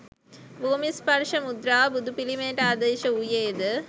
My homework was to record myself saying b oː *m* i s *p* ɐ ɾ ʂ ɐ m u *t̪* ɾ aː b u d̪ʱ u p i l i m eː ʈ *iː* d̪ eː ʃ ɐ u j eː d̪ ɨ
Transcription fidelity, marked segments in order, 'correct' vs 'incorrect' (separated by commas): correct, correct, incorrect, incorrect